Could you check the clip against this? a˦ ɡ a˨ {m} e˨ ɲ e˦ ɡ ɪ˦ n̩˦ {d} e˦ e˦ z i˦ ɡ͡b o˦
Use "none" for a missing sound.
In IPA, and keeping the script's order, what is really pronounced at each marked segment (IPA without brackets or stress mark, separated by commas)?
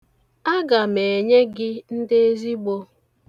m, d